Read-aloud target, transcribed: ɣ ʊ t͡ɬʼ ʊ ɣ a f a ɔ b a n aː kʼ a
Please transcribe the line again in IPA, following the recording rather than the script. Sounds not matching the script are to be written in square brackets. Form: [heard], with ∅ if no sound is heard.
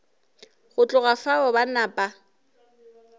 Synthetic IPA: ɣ ʊ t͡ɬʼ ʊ ɣ a f a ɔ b a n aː [pʼ] a

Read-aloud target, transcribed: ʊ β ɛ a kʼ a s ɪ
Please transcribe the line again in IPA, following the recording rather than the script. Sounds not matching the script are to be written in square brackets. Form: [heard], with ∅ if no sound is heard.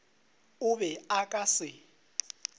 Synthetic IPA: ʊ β ɛ a kʼ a s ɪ

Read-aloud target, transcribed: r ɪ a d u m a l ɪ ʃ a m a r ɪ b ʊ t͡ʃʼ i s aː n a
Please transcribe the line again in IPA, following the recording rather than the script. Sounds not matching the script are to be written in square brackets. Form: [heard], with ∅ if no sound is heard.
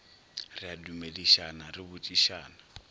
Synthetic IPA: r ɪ a d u m [e] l [i] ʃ a [n] a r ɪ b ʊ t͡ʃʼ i [ʃ] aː n a

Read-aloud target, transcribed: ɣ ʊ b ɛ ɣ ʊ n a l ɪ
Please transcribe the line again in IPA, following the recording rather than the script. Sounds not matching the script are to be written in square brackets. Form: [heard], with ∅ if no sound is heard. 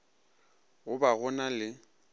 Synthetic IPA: ɣ ʊ b [a] ɣ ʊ n a l ɪ

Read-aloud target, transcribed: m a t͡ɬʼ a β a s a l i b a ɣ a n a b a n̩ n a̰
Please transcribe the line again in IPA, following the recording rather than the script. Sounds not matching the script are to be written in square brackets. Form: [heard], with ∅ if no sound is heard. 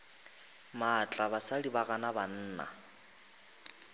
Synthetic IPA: m a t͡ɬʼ a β a s a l i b a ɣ a n a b a [n̩ː] n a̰

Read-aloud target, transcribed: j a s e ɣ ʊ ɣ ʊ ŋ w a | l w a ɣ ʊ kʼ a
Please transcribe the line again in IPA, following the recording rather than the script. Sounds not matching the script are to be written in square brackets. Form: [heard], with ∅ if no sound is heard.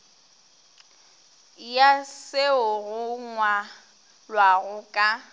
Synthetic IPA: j a s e [∅] ʊ ɣ ʊ ŋ w a | l w a ɣ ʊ kʼ a

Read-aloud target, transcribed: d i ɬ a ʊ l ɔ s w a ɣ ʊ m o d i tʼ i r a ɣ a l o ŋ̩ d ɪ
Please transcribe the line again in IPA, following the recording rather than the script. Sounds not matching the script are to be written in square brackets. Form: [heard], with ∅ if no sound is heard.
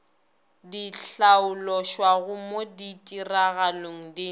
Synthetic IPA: d i ɬ a ʊ l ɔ [ʃ] w a ɣ ʊ m o d i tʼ i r a ɣ a l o ŋ̩ d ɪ

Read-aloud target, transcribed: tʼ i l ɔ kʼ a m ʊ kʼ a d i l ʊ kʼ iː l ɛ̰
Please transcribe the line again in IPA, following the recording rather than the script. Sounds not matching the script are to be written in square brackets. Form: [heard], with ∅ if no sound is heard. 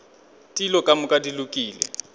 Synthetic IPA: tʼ i l ɔ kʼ a m ʊ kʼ a d i l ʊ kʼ iː l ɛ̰

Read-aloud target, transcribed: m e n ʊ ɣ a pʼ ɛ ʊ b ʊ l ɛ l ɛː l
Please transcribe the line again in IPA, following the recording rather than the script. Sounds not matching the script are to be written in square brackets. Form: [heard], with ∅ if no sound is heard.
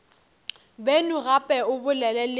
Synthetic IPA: [b] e n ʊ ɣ a pʼ ɛ ʊ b ʊ l ɛ l [ɛ] l

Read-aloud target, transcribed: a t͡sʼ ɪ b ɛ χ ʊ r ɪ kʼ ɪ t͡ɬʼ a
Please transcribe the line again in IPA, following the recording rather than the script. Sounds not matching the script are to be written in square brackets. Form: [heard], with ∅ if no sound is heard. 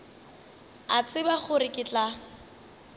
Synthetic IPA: a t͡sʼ ɪ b [a] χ ʊ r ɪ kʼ ɪ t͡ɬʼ a

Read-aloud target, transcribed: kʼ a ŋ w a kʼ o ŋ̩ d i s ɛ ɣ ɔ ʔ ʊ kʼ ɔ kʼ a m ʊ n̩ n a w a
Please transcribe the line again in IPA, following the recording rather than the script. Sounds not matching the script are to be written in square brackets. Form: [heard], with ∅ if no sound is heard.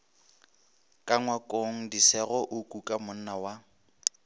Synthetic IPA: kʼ a ŋ w a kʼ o ŋ̩ d i s ɛ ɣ ɔ ʔ ʊ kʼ [u] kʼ a m ʊ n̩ n a w a

